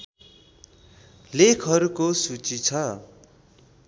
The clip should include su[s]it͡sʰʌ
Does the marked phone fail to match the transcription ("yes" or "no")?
yes